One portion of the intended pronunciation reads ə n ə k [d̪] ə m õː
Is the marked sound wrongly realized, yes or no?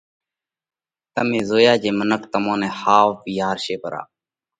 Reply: yes